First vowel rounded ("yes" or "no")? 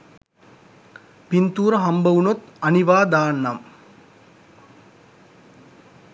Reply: no